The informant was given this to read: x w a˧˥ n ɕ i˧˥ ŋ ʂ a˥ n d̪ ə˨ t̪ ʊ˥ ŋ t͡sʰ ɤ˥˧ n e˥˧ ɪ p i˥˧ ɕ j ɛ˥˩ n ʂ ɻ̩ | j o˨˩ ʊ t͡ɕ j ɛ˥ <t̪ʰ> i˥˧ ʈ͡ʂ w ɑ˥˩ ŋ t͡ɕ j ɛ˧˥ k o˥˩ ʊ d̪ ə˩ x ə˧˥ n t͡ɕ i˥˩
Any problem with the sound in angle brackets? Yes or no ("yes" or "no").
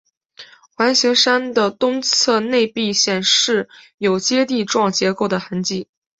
yes